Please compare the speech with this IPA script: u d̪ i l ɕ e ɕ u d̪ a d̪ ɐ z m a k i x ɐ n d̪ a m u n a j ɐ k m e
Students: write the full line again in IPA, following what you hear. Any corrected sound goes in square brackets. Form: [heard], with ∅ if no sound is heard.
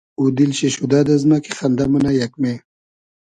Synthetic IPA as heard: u d̪ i l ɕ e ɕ u d̪ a d̪ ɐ z m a k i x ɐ n d̪ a m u n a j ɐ k m e